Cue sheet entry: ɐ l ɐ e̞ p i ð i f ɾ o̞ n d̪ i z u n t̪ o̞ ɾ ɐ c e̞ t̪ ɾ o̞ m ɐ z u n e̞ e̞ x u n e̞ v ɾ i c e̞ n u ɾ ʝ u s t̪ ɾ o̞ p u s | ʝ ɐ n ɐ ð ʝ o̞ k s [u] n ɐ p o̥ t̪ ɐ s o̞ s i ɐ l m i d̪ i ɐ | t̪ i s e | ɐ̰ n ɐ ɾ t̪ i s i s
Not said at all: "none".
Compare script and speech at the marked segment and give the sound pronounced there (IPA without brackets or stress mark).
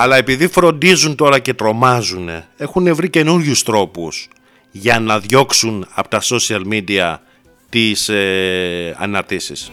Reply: u